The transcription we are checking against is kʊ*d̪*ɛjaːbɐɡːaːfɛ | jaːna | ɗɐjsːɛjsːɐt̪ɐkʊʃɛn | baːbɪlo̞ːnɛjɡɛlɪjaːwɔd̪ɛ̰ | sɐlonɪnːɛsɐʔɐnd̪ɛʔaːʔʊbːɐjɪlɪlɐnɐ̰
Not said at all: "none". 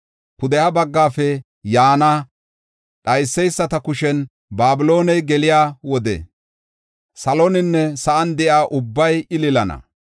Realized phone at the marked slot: d̪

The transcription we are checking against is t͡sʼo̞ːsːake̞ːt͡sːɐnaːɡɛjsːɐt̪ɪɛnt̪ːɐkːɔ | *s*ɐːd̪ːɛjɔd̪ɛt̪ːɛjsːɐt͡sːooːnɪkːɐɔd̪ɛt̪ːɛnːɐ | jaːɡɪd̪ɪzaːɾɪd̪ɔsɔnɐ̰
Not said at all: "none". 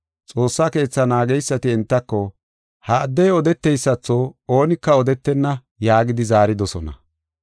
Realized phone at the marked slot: h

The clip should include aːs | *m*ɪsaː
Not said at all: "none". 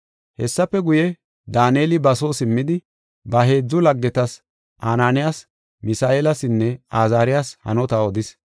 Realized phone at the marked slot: m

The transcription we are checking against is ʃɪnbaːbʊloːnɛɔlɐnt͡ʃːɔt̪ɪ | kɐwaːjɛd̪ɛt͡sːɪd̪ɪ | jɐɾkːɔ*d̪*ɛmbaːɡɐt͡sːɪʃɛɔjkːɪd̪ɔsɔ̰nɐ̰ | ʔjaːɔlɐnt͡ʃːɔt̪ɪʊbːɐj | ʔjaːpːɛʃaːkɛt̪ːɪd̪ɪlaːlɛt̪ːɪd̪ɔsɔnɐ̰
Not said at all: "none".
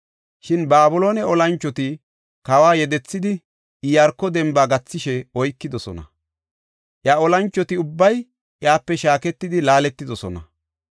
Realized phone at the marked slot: d̪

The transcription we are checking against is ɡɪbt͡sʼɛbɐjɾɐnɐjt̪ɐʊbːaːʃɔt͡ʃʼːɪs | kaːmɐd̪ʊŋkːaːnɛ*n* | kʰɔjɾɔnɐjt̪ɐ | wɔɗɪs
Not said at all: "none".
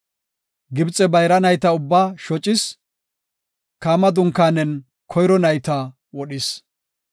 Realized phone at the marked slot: n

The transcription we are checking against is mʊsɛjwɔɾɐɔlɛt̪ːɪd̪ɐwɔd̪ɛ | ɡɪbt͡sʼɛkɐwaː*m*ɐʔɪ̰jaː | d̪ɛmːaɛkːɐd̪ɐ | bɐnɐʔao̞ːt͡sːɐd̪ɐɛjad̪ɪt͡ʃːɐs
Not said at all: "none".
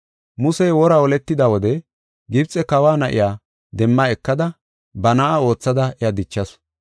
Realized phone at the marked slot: n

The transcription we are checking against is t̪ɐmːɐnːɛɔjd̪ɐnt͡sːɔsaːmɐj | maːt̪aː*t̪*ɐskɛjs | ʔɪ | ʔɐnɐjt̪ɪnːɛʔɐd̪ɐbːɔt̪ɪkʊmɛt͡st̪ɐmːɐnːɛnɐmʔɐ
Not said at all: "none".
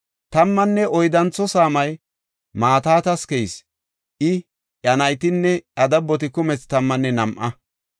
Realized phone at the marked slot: t̪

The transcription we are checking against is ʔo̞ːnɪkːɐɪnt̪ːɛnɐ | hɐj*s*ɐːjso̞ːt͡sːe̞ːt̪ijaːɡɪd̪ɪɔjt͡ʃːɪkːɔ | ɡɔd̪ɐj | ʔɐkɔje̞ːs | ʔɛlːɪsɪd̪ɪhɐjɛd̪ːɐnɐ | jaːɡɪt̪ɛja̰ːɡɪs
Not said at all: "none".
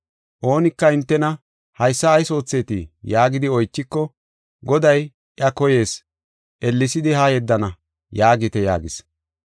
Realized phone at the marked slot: sː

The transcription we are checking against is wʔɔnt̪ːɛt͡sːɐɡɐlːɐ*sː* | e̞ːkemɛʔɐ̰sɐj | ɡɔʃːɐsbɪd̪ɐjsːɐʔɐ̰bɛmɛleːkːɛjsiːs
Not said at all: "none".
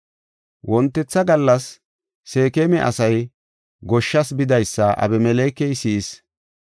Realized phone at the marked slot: sː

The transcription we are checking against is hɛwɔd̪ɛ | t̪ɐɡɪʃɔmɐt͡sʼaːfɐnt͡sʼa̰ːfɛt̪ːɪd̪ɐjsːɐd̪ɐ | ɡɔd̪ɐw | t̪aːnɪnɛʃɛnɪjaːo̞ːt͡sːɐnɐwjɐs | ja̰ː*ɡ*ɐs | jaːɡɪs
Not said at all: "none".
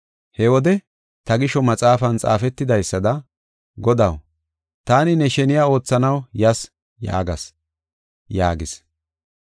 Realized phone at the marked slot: ɡ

